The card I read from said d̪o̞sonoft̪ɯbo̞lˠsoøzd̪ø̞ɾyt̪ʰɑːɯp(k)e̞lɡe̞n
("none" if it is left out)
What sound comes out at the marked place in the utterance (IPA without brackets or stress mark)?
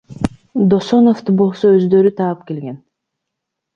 k